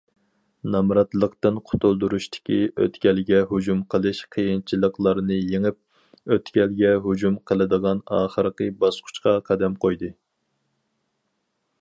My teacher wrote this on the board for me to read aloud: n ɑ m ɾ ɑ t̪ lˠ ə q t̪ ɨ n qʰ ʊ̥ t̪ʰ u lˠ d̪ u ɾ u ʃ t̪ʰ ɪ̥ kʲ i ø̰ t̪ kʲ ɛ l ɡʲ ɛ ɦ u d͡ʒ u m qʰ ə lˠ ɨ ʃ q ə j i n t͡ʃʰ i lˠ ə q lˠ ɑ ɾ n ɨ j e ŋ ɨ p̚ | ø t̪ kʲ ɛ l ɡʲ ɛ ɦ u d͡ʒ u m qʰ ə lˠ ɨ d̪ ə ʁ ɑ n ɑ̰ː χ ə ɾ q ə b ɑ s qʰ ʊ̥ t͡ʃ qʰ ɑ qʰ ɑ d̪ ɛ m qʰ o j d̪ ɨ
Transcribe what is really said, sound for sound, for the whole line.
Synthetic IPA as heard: n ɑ m ɾ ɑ t̪ lˠ ə q t̪ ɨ n qʰ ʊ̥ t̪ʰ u lˠ d̪ u ɾ u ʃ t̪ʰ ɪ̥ kʲ i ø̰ t̪ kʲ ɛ l ɡʲ ɛ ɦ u d͡ʒ u m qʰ ə lˠ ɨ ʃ qʰ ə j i n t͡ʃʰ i lˠ ə q lˠ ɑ ɾ n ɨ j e ŋ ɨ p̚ | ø t̪ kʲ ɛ l ɡʲ ɛ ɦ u d͡ʒ u m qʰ ə lˠ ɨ d̪ ə ʁ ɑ n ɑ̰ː χ ə ɾ q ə b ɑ s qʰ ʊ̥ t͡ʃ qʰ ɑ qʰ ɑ d̪ ɛ m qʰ o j d̪ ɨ